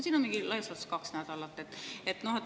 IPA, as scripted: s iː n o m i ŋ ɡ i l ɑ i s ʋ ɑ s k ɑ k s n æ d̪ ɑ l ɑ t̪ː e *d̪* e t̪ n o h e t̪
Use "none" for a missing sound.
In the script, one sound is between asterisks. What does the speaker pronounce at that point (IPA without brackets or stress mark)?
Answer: t̪